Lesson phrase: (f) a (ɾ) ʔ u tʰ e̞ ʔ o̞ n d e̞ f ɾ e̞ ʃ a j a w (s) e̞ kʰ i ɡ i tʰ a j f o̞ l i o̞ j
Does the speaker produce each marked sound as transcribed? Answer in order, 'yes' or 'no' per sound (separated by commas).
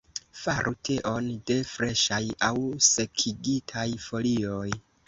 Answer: yes, yes, yes